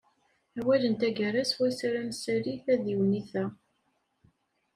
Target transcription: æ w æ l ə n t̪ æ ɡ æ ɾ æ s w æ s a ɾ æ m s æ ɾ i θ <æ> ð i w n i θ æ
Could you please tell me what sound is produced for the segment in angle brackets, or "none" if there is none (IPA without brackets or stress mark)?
æ